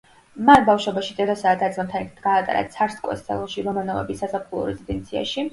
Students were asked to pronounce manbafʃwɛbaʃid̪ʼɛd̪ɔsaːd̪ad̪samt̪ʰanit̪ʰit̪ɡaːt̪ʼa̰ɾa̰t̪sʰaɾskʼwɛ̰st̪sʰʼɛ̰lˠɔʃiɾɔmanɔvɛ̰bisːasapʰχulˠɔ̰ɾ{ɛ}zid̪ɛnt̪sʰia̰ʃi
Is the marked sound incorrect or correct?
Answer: correct